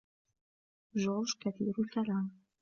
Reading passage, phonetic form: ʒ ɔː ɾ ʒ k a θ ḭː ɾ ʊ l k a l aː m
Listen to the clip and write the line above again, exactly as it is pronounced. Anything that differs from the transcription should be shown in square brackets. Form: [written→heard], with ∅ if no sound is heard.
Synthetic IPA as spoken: ʒ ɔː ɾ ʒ k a θ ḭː ɾ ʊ l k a l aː m